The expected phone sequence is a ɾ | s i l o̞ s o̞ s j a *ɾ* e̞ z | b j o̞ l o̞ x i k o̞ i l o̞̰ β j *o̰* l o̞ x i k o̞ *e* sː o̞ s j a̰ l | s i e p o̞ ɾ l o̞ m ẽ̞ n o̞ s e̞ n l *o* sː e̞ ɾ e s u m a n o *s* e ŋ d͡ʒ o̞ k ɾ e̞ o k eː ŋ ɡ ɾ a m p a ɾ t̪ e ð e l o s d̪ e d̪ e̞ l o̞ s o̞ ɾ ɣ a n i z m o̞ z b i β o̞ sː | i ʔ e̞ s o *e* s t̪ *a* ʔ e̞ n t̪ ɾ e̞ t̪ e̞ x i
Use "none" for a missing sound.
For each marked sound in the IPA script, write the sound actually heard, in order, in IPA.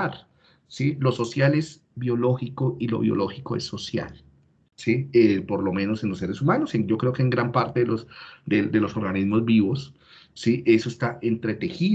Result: l, o̰, e, o, s, e, a

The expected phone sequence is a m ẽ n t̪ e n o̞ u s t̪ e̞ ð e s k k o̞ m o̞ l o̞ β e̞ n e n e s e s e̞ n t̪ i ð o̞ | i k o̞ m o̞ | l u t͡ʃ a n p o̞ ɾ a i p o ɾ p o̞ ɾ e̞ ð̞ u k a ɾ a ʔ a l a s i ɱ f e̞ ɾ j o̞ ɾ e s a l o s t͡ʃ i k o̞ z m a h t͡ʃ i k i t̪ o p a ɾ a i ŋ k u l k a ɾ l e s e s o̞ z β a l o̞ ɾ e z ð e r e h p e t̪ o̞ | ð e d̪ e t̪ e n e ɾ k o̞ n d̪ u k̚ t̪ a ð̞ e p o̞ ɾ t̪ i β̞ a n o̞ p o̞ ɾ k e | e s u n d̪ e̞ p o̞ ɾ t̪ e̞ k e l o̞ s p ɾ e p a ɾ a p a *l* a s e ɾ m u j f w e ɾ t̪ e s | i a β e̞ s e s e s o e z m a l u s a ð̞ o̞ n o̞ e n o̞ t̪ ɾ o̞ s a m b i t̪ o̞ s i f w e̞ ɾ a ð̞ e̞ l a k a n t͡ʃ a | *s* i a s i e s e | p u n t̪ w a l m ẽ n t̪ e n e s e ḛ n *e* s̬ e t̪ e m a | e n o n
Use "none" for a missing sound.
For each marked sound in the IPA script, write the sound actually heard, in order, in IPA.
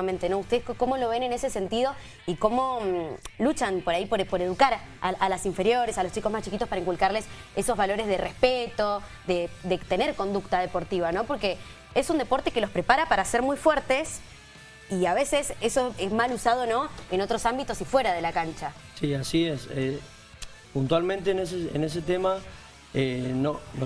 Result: ɾ, s, e

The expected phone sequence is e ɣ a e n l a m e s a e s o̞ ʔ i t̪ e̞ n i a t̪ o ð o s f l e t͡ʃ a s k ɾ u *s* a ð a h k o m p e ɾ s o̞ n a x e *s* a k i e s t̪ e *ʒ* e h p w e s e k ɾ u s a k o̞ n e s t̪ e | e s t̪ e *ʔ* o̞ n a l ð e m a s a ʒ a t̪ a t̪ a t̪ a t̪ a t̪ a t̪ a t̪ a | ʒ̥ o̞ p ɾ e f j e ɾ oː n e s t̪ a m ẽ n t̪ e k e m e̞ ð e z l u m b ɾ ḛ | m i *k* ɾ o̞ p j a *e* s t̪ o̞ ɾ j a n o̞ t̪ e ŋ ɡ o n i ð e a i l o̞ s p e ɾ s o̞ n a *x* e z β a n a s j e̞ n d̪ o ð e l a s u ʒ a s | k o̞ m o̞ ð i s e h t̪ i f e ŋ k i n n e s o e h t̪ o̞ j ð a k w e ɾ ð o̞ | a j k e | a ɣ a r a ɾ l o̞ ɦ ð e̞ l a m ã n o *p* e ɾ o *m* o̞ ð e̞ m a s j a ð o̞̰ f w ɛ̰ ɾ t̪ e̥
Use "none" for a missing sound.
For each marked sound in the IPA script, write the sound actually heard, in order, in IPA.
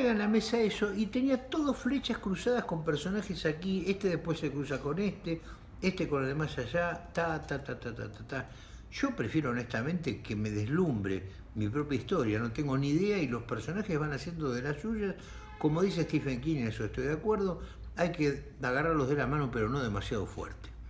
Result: s, s, ð, k, p, i, x, p, n

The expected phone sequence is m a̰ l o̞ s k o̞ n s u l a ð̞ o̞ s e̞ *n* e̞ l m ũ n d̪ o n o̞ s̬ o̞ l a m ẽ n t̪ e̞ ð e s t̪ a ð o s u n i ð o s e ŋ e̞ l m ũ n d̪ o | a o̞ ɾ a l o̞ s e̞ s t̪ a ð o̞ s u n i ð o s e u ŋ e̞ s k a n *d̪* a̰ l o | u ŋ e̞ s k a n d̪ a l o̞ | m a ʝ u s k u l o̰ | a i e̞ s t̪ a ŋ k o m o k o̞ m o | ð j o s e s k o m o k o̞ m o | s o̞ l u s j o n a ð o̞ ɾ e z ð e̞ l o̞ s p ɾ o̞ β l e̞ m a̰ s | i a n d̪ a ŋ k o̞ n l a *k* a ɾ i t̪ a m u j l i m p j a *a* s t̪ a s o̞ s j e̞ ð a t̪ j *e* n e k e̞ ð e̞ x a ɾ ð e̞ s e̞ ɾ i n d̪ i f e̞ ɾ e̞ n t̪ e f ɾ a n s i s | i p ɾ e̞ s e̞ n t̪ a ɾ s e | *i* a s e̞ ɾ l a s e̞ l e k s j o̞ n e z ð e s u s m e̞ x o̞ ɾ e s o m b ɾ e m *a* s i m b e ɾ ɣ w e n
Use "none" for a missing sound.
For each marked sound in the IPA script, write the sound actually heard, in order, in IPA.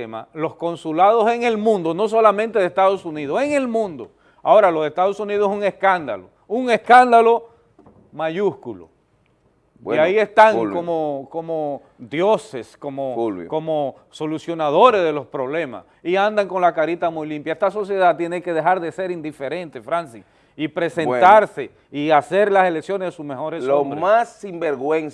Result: ŋ, d̪, k, e, e, i, a

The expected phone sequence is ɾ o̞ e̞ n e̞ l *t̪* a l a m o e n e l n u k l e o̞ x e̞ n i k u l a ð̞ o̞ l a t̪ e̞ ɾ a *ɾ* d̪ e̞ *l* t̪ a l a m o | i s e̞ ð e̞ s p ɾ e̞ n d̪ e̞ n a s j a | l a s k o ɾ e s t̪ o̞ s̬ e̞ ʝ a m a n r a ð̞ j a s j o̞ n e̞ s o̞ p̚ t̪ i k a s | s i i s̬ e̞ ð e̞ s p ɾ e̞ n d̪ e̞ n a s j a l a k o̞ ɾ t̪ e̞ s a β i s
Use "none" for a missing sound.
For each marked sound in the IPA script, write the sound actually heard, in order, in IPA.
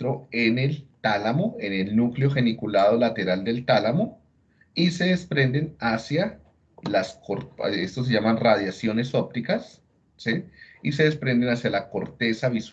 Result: t̪, l, l

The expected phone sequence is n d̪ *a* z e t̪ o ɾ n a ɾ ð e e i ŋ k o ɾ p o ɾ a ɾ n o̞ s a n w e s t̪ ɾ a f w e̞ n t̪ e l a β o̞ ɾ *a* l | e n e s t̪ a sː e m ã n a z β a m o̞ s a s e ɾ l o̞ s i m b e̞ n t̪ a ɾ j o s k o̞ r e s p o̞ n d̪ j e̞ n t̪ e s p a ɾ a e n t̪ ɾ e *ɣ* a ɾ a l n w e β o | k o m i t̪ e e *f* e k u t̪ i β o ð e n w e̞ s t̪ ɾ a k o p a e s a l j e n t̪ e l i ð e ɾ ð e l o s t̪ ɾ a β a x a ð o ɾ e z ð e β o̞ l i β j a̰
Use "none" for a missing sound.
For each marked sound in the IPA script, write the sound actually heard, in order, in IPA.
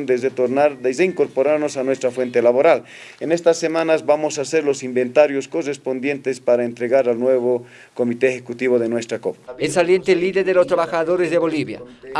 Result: e, a, ɣ, x

